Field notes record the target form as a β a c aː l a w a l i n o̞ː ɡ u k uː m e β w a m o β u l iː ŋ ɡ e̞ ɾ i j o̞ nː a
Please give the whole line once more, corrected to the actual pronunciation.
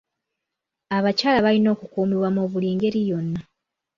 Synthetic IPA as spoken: a β a c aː l a β a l i n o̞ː k u k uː m i β w a m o β u l iː ŋ ɡ e̞ ɾ i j o̞ nː a